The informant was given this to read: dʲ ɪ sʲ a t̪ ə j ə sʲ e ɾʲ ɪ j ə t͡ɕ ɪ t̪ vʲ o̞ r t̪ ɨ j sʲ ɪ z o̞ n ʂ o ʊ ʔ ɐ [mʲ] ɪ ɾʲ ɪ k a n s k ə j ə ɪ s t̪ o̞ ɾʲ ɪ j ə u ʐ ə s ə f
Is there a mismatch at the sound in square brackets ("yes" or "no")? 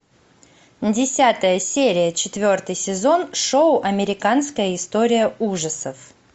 no